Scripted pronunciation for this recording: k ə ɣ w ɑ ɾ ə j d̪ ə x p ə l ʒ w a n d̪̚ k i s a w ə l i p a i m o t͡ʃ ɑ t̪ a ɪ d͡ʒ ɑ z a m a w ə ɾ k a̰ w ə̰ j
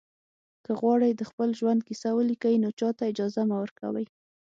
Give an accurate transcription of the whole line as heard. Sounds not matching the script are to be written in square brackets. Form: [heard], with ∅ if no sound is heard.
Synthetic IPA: k ə ɣ w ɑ [ɽ] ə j d̪ ə x p ə l ʒ w a n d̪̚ k i s a w ə l i [k] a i [n] o t͡ʃ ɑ t̪ a ɪ d͡ʒ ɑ z a m a w ə ɾ k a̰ w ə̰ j